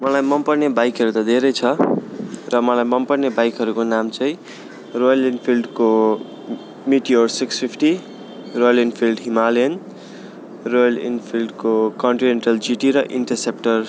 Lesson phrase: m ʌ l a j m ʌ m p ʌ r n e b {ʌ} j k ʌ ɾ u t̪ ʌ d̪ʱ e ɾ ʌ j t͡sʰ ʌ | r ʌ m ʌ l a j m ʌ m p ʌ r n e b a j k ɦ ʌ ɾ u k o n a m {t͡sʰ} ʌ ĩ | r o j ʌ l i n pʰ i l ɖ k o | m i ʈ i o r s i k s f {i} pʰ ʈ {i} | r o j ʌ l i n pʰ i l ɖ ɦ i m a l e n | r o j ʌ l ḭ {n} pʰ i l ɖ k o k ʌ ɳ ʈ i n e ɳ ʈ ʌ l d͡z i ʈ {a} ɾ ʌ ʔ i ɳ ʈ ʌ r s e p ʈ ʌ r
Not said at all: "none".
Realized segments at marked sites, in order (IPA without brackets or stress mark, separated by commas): a, t͡s, i, i, n, i